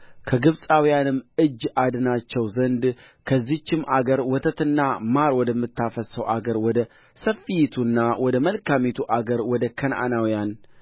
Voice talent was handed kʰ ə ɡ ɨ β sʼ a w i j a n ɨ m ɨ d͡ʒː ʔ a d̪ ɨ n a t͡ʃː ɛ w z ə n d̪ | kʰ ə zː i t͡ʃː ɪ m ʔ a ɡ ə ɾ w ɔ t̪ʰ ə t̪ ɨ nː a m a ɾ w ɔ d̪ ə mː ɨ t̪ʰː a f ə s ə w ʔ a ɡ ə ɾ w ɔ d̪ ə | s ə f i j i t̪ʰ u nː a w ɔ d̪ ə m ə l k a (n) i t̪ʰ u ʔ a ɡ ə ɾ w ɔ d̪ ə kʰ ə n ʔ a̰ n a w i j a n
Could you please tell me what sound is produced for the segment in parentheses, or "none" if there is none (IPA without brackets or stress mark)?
m